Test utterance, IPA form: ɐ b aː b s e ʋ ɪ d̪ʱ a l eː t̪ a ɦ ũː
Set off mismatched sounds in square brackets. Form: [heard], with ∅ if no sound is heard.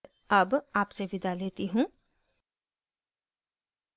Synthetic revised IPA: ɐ b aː [p] s e ʋ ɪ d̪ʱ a l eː t̪ [i] ɦ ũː